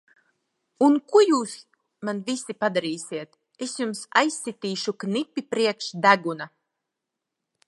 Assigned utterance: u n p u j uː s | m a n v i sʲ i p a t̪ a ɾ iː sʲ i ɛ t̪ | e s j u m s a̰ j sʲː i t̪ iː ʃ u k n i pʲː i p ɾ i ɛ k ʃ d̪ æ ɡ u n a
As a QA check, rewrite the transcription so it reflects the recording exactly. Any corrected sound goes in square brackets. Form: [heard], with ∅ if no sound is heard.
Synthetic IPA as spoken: u n [k] u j uː s | m a n v i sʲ i p a [d̪] a ɾ iː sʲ i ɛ t̪ | e s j u m s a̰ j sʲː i t̪ iː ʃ u k n i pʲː i p ɾ i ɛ k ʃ d̪ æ ɡ u n a